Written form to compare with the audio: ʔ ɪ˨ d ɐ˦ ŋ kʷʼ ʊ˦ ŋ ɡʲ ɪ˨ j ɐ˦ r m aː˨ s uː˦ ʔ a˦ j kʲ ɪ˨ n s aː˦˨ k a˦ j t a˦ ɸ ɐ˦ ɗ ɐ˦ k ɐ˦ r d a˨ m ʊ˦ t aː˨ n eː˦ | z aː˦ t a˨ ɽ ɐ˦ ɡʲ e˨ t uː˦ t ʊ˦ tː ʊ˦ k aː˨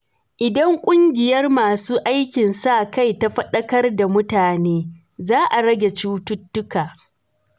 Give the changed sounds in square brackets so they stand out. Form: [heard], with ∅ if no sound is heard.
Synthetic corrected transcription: ʔ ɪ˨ d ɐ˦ ŋ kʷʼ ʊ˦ ŋ ɡʲ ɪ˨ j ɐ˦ r m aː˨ s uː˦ ʔ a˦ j kʲ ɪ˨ n s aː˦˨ k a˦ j t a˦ ɸ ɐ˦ ɗ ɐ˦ k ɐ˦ r d a˨ m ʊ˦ t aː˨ n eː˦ | z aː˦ [ʔ] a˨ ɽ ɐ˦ ɡʲ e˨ [t͡ʃ] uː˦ t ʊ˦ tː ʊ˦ k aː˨

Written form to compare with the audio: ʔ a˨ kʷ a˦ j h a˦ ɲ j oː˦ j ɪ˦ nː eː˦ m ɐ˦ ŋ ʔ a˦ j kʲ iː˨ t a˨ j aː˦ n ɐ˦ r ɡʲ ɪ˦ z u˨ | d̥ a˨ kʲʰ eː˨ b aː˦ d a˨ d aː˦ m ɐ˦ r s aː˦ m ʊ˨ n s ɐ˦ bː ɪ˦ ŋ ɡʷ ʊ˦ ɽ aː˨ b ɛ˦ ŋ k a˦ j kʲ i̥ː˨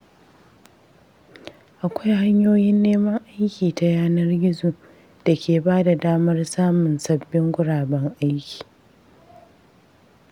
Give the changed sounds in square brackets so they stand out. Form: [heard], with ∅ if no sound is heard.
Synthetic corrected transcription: ʔ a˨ kʷ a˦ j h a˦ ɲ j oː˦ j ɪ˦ nː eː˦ m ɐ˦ ŋ ʔ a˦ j kʲ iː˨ t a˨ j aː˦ n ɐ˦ r ɡʲ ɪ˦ z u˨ | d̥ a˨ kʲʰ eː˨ b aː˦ d a˨ d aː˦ m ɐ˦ r s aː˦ m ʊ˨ n s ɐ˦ bː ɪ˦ ŋ ɡʷ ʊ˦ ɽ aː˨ b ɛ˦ ŋ [ʔ] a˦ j kʲ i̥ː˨

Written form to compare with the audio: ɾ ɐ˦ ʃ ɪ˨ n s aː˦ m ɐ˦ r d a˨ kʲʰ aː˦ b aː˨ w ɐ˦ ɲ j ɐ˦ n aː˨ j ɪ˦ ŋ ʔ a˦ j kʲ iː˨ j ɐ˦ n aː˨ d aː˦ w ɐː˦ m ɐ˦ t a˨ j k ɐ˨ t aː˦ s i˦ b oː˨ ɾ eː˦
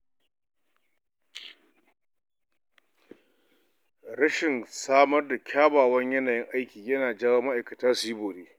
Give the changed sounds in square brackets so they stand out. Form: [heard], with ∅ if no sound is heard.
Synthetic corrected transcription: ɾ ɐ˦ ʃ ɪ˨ n s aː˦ m ɐ˦ r d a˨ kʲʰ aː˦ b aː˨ w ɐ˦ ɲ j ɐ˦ n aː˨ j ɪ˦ ŋ ʔ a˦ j kʲ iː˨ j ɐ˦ n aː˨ [d͡ʒ] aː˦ w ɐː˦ m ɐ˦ [ʔ] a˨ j k ɐ˨ t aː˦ s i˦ b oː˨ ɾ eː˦

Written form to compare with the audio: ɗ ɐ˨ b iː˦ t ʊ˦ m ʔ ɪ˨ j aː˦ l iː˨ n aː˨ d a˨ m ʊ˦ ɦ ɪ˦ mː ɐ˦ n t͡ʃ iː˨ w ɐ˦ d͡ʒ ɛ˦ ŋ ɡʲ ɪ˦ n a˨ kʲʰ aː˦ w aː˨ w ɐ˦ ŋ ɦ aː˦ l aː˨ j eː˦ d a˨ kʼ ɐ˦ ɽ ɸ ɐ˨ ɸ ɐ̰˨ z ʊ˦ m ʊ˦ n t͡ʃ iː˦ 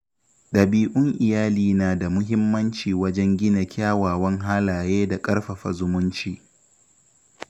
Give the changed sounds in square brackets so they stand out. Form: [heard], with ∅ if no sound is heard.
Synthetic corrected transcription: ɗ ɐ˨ b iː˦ [ʔ] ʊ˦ [ŋ] ʔ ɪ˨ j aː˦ l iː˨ n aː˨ d a˨ m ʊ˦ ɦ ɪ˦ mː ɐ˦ n t͡ʃ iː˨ w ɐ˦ d͡ʒ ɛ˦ ŋ ɡʲ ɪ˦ n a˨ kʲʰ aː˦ w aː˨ w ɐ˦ ŋ ɦ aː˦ l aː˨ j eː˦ d a˨ kʼ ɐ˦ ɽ ɸ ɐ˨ ɸ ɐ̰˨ z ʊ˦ m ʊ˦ n t͡ʃ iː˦

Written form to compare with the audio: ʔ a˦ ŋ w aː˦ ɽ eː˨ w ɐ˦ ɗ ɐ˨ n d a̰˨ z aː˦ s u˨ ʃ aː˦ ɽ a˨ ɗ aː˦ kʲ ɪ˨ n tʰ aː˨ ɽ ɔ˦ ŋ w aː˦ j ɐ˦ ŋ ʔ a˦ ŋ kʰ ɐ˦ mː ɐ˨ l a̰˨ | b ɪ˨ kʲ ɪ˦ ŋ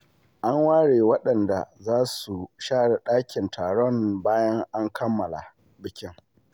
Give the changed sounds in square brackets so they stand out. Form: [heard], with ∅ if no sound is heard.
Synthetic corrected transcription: ʔ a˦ ŋ w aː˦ ɽ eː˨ w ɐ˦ ɗ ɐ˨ n d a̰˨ z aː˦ s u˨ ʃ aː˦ ɽ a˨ ɗ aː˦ kʲ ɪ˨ n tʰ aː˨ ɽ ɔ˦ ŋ [b] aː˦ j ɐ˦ ŋ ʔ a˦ ŋ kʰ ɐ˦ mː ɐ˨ l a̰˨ | b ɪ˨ kʲ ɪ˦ ŋ

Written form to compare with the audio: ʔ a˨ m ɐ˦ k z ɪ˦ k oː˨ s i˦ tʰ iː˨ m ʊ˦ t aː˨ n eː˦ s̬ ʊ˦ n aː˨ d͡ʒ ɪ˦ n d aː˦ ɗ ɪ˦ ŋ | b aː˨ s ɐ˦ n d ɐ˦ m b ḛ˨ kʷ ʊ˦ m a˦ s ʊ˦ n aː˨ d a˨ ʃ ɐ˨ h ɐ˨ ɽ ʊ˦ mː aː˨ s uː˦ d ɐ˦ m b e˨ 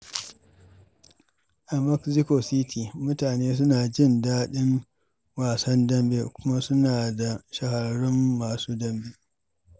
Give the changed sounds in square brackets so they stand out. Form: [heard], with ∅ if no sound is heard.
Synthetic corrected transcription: ʔ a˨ m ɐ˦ k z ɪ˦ k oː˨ s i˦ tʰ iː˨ m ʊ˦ t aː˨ n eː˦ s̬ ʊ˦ n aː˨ d͡ʒ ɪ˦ n d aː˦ ɗ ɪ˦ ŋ | [w] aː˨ s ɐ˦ n d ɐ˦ m b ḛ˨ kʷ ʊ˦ m a˦ s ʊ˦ n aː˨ d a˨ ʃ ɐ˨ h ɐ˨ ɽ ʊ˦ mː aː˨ s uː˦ d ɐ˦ m b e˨

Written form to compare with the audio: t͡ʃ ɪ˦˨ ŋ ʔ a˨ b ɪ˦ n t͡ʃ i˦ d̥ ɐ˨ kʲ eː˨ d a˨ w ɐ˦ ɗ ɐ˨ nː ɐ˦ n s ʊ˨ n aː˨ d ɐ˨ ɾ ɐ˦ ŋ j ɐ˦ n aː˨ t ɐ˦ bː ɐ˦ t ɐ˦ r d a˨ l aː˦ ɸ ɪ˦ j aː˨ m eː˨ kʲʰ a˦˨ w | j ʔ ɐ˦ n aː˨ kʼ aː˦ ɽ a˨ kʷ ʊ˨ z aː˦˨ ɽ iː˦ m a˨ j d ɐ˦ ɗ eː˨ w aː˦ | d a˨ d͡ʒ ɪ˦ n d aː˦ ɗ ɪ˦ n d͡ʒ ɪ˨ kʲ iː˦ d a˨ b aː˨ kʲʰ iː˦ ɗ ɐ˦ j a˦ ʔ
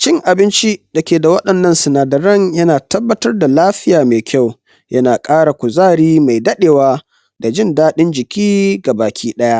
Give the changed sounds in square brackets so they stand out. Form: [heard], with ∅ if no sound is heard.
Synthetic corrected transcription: t͡ʃ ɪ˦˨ ŋ ʔ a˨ b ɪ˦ n t͡ʃ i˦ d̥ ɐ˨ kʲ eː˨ d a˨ w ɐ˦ ɗ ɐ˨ nː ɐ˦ n s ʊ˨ n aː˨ d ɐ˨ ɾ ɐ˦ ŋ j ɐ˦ n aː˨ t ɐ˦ bː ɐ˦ t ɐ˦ r d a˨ l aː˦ ɸ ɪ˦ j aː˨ m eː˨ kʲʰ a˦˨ w | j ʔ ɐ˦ n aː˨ kʼ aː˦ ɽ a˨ kʷ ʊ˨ z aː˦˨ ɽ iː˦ m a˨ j d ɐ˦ ɗ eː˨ w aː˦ | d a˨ d͡ʒ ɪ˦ n d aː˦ ɗ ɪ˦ n d͡ʒ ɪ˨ kʲ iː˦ [ɡ] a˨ b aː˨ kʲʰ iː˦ ɗ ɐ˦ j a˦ ʔ

